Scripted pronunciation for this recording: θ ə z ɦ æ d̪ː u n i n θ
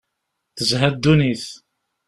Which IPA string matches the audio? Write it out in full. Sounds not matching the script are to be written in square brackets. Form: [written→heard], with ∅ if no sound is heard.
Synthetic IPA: θ ə z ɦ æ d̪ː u n i [n→∅] θ